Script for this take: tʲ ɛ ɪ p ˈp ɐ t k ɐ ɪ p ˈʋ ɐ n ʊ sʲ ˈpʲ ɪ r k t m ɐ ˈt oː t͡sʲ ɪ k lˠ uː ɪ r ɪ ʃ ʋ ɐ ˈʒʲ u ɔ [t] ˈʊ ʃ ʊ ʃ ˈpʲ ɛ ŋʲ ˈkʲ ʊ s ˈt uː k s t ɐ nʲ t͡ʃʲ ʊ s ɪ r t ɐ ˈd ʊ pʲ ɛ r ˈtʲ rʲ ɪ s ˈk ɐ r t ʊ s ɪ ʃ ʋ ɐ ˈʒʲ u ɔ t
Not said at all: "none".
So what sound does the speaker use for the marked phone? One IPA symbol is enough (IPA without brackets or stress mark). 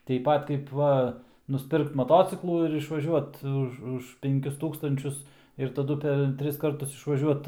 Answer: t